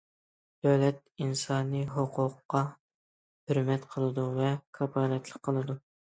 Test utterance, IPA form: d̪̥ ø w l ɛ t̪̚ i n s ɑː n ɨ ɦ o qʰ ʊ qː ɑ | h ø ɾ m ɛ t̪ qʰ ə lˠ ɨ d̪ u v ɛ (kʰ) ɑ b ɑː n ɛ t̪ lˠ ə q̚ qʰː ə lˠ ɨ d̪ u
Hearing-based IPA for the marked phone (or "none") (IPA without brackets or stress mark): kʰ